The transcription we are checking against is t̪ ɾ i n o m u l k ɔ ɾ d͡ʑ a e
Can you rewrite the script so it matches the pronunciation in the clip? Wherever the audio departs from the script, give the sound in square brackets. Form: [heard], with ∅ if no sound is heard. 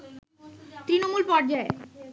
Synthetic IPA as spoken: t̪ ɾ i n o m u l [p] ɔ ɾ d͡ʑ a e